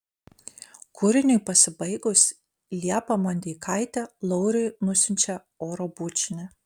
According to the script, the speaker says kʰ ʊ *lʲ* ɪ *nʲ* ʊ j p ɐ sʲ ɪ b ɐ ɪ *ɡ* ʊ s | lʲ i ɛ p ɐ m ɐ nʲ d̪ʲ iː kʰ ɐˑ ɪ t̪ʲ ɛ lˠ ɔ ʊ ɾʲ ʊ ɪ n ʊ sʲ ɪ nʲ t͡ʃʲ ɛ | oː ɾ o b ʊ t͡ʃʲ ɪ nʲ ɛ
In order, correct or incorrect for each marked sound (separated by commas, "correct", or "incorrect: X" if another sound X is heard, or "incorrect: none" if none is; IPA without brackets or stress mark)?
incorrect: ɾʲ, correct, correct